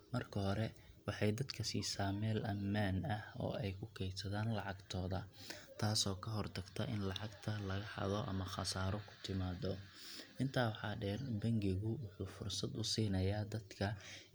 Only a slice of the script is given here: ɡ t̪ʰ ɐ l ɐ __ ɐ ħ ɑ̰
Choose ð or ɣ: ɣ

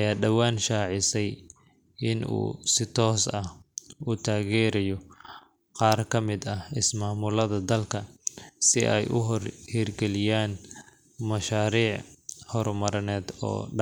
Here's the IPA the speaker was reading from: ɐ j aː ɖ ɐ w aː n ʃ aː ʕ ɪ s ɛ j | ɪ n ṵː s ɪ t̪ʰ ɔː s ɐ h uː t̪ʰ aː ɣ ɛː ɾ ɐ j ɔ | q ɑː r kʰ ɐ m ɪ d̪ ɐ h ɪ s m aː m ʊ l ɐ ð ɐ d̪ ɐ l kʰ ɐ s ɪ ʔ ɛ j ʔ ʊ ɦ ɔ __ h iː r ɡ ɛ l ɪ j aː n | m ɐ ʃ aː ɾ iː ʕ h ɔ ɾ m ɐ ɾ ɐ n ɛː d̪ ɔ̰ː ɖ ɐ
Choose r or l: r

